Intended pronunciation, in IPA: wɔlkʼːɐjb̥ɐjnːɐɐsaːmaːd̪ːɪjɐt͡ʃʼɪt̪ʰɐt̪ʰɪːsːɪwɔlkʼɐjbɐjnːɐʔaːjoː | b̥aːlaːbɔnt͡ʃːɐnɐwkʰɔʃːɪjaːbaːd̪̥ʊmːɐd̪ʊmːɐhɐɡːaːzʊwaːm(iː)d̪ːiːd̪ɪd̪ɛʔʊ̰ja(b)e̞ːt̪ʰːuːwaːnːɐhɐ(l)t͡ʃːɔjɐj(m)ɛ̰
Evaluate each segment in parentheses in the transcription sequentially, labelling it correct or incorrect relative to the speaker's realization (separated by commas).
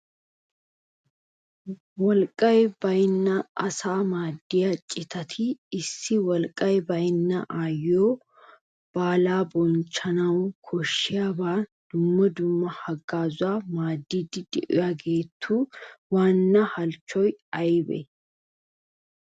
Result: incorrect, incorrect, correct, incorrect